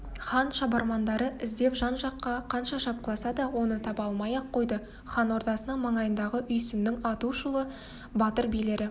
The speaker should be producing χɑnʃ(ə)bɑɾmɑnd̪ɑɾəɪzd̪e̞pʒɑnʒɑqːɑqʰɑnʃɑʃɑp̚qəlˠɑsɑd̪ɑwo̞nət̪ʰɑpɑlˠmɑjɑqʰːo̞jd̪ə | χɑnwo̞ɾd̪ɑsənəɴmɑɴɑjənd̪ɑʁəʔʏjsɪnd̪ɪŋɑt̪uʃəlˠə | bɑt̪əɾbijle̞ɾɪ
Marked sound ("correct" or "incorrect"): incorrect